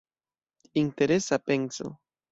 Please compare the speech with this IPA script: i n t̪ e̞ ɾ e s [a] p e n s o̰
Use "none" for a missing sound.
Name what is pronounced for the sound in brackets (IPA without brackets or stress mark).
a